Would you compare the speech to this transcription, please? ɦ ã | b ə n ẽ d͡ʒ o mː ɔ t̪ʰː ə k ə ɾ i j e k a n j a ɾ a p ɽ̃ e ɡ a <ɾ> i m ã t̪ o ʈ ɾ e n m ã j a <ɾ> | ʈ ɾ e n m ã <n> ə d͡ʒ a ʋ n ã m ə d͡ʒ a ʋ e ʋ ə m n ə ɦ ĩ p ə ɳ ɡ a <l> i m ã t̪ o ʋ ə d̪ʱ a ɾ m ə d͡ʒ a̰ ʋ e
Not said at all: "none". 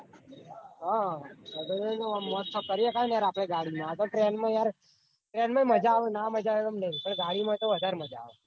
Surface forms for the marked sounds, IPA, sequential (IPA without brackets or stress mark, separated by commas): ɽ, ɾ, m, ɽ